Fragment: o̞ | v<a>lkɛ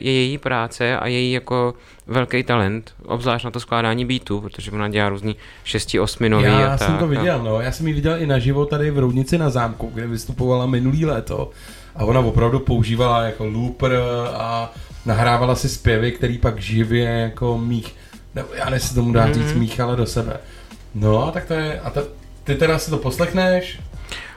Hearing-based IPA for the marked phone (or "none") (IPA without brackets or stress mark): ɛ